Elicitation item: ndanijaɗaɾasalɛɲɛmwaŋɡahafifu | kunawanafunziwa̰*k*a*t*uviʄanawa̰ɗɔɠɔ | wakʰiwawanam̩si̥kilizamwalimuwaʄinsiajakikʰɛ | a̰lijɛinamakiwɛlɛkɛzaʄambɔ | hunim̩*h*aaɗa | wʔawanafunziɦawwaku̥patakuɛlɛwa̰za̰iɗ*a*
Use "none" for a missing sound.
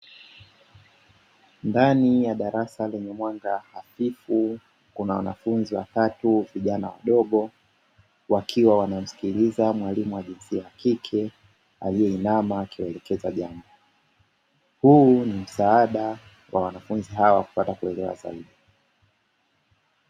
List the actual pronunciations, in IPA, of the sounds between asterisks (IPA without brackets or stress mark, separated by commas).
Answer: t, t, s, i